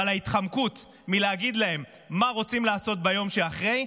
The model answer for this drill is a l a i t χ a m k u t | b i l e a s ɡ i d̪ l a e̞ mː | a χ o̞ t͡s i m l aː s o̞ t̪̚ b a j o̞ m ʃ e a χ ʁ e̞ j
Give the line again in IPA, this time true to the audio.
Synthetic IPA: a l a i t χ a m k u t | m i l e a ɡ i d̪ l a e̞ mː | a ʁ o̞ t͡s i m l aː s o̞ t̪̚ b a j o̞ m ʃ e a χ ʁ e̞ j

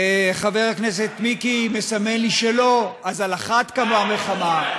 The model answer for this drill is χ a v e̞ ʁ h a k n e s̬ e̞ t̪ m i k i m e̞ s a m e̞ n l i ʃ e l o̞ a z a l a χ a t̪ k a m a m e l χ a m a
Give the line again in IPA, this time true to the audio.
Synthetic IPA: χ a v e̞ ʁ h a k n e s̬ e̞ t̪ m i k i m e̞ s a m e̞ n l i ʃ e l o̞ a z a l a χ a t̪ k a m a m e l χ a m a

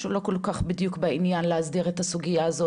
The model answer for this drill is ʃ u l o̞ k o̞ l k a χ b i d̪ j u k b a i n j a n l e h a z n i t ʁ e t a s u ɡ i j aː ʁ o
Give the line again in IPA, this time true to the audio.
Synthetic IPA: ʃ u l o̞ k o̞ l k a χ b i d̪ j u k b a i n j a n l e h a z d i ʁ e t a s u ɡ i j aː z o

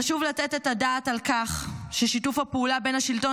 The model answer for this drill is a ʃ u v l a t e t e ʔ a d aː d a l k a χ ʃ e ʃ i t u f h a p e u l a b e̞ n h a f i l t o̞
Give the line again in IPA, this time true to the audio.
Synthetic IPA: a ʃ u v l a t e t e t a d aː t a l k a χ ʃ e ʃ i t u f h a p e u l a b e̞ n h a ʃ i l t o̞

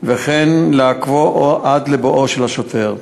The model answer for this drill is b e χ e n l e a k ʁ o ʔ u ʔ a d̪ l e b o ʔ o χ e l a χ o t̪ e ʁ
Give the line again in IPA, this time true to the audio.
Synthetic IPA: v e χ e n l e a k v o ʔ o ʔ a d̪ l e b o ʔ o ʃ e l a ʃ o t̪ e ʁ

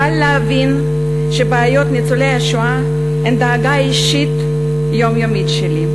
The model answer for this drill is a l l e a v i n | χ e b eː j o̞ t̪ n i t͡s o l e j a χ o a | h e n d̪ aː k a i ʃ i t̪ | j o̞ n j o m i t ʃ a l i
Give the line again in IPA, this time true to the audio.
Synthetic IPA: a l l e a v i n | ʃ e b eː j o̞ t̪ n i t͡s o l e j a ʃ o a | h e n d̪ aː ɡ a i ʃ i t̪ | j o̞ m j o m i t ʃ e l i

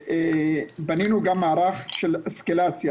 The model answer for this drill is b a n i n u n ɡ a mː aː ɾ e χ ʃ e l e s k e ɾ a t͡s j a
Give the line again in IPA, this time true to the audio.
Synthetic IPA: b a n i n u ɡ a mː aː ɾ a χ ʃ e l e s k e l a t͡s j a

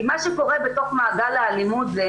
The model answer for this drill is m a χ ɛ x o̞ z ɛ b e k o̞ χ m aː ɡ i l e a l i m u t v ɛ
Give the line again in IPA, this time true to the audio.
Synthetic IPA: m a ʃ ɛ k o̞ ʁ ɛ b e t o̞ χ m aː ɡ a l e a l i m u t z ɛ

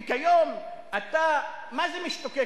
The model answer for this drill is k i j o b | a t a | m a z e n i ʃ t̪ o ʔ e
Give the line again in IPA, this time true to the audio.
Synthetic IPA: k a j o m | a t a | m a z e m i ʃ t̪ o k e

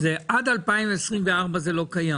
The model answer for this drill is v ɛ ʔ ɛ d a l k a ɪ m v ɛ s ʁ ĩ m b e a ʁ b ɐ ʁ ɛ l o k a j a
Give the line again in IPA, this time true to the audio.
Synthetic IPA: z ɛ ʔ a d a l p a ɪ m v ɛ s ʁ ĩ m v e a ʁ b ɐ z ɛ l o k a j a

